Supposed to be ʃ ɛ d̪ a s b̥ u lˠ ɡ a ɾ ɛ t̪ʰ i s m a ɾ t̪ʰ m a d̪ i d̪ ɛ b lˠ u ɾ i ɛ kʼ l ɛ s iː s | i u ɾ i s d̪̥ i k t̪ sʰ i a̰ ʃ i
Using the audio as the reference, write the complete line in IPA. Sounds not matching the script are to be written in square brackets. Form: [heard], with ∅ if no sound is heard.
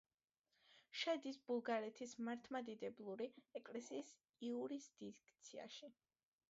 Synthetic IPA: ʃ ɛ d̪ [i] s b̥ u lˠ ɡ a ɾ ɛ t̪ʰ i s m a ɾ t̪ʰ m a d̪ i d̪ ɛ b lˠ u ɾ i ɛ kʼ l ɛ s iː s | i u ɾ i s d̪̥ i k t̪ sʰ i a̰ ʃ i